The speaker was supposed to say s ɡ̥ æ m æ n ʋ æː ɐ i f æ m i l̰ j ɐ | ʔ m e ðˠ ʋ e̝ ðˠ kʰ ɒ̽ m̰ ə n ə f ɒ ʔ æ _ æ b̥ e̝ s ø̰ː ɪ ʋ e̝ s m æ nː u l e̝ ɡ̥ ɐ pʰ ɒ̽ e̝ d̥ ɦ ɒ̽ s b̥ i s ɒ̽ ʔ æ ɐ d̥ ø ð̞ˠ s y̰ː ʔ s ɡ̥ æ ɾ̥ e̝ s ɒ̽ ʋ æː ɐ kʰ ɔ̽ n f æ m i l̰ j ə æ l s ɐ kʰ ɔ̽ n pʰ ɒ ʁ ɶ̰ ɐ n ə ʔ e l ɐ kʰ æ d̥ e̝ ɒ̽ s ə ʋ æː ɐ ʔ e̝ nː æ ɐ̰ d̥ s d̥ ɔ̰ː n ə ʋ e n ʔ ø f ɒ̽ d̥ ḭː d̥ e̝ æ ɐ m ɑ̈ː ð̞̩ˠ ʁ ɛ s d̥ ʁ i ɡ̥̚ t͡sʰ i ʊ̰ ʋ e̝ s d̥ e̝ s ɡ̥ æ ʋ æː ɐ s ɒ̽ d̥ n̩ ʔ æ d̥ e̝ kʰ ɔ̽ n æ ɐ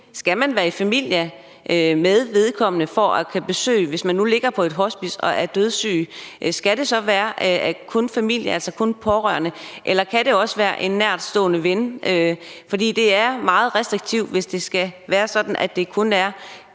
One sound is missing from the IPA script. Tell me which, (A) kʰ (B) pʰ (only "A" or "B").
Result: A